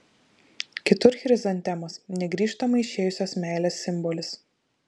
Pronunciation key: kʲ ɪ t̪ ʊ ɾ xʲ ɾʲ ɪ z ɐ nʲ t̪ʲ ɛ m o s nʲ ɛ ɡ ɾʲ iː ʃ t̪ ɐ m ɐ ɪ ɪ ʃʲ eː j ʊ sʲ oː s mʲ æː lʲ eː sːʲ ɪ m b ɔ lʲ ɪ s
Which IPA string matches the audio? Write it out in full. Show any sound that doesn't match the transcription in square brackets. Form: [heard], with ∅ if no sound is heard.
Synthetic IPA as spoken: kʲ ɪ t̪ ʊ ɾ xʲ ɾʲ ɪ z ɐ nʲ t̪ʲ ɛ m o s nʲ ɛ ɡ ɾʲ iː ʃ t̪ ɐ m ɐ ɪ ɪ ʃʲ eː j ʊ sʲ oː s mʲ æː lʲ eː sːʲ ɪ m b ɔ lʲ ɪ s